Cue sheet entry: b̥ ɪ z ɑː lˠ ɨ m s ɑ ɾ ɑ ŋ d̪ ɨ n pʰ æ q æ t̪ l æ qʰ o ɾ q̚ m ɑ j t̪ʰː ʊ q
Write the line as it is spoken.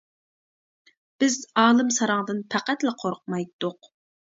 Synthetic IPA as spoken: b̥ ɪ z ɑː lˠ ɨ m s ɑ ɾ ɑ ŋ d̪ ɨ n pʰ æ q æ t̪ l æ qʰ o ɾ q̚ m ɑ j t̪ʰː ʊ q